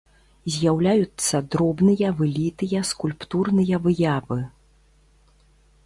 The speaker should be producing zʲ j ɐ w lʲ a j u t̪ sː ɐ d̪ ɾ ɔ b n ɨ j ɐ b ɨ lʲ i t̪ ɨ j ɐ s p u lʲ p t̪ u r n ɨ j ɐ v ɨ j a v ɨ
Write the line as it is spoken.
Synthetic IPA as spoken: zʲ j a w lʲ a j u t̪ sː ɐ d̪ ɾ ɔ b n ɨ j ɐ v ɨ lʲ i t̪ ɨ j ɐ s k u lʲ p t̪ u r n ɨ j ɐ v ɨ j a v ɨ